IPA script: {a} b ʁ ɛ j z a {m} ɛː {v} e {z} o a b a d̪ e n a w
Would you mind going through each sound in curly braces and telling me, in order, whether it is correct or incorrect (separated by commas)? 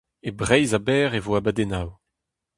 incorrect, incorrect, incorrect, incorrect